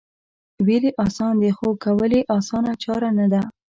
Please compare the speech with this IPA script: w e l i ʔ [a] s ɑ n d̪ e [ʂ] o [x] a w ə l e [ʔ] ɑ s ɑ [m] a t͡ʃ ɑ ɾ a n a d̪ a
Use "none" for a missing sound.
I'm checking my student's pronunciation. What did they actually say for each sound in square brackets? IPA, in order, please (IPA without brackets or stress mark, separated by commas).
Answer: ɑ, x, k, ʔ, n